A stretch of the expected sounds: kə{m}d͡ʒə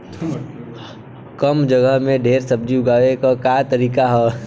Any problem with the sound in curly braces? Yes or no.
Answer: no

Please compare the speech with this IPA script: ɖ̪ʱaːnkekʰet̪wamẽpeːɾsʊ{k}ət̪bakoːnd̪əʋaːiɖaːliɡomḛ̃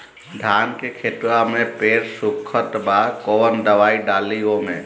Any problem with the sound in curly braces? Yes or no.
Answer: yes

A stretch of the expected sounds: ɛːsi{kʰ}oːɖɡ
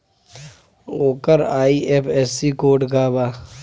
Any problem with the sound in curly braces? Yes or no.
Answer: yes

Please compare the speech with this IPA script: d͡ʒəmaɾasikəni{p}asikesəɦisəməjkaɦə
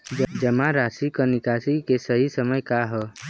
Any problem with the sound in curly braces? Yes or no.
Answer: yes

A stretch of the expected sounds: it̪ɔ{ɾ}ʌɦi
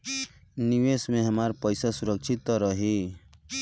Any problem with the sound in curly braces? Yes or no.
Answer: no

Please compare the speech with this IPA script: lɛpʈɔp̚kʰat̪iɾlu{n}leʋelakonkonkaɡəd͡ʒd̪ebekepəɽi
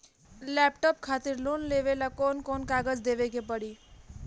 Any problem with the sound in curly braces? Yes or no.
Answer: no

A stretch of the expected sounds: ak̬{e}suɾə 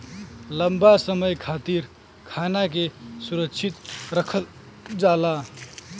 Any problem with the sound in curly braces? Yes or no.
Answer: no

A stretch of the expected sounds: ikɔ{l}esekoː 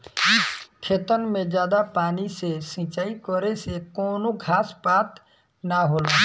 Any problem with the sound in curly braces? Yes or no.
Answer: yes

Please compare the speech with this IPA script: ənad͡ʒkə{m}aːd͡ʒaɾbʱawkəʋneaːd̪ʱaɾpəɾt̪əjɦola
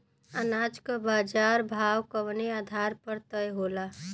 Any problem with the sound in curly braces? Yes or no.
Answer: yes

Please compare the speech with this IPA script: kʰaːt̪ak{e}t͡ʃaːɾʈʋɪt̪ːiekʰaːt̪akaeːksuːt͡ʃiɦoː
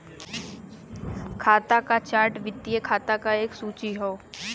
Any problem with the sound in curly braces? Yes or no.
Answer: yes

